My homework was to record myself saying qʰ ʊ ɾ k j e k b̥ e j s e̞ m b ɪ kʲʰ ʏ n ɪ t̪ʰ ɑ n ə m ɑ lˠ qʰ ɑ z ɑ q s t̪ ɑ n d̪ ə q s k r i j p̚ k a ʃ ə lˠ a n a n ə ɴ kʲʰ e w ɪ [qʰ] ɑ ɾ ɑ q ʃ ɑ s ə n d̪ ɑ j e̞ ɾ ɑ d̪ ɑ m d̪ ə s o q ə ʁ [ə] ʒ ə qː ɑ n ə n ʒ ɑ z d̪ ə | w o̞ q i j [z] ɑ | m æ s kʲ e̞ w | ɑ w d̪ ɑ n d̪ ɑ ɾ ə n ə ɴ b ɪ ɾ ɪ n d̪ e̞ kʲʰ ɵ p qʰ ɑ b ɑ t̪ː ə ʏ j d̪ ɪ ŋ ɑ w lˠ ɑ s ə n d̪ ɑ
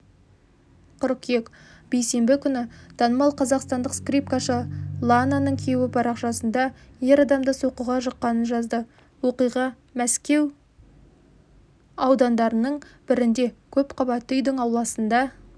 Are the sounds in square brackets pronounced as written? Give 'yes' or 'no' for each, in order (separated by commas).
no, no, no